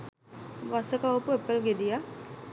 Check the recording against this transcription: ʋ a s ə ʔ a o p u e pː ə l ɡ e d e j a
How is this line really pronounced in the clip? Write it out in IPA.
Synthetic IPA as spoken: ʋ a s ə k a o p u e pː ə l ɡ e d i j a

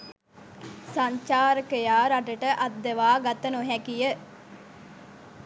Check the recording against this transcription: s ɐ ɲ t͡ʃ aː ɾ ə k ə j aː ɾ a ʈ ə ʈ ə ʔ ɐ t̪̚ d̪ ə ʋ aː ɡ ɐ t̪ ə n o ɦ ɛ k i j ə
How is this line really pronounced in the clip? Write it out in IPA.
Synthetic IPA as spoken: s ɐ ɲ t͡ʃ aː ɾ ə k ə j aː ɾ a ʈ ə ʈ ə ʔ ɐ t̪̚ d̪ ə ʋ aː ɡ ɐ t̪ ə n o ɦ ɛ k i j ə

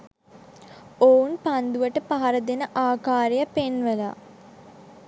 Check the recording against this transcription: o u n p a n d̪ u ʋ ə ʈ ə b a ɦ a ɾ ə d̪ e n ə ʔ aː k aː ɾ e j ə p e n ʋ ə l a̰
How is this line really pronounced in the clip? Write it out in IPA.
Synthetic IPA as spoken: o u n p a n d̪ u ʋ ə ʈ ə p a ɦ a ɾ ə d̪ e n ə ʔ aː k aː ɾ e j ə p e n ʋ ə l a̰

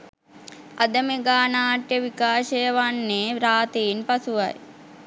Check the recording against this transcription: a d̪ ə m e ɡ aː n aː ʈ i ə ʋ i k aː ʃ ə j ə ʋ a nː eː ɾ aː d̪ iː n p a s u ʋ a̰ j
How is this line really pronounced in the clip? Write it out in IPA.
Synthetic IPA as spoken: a d̪ ə m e ɡ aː n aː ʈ j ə ʋ i k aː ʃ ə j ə ʋ a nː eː ɾ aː t̪ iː n p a s u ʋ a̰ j

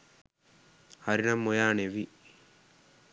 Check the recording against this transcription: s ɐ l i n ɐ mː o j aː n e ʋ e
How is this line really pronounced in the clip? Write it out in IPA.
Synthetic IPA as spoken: h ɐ ɾ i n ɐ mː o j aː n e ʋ i

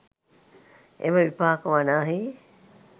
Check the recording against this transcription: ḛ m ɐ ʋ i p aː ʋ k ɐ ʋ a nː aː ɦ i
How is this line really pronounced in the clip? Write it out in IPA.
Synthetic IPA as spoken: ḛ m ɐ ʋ i p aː k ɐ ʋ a n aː ɦ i

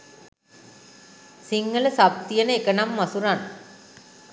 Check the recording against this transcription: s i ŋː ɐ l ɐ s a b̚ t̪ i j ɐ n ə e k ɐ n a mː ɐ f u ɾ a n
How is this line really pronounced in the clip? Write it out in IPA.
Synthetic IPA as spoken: s i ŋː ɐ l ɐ s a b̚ t̪ i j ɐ n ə e k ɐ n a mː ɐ s u ɾ a n

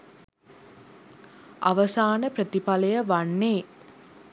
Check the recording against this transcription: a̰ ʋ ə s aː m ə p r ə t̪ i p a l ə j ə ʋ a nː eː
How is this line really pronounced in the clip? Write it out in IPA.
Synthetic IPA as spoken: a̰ ʋ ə s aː n ə p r ə t̪ i p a l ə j ə ʋ a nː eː

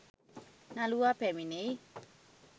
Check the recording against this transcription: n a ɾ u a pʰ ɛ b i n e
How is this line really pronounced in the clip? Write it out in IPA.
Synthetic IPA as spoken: n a l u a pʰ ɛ m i n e

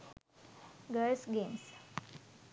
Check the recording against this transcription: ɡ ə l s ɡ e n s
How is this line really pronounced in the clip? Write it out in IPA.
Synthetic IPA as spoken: ɡ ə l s ɡ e m s

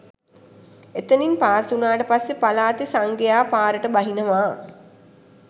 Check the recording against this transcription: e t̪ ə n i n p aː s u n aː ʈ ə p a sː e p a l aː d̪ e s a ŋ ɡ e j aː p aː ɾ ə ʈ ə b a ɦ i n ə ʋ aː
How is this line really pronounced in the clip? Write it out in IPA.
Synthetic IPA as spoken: e t̪ ə n i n p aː s u n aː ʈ ə p a sː e p a l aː t̪ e s a ŋ ɡ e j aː p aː ɾ ə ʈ ə b a ɦ i n ə ʋ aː

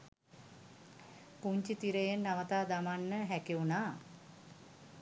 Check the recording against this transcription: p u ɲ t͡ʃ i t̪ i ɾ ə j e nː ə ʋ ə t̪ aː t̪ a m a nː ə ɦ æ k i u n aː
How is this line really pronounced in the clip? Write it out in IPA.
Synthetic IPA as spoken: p u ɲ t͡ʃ i t̪ i ɾ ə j e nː a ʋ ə t̪ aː d̪ a m a nː ə ɦ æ k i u n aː

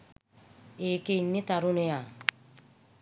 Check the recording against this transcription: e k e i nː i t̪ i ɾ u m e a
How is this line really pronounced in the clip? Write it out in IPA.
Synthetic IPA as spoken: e k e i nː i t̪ a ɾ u n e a

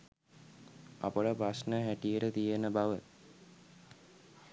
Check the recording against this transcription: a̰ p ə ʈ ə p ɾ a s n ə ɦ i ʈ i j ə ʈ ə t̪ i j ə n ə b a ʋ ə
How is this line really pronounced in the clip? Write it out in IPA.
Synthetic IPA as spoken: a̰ p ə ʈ ə p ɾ a s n ə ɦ æ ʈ i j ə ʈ ə t̪ i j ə n ə b a ʋ ə

